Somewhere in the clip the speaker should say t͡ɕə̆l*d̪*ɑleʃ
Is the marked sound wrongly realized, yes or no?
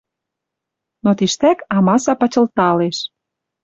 yes